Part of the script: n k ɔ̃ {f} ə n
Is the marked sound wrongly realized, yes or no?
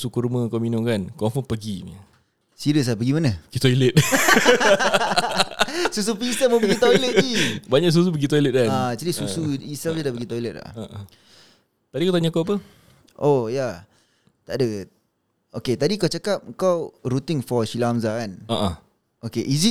no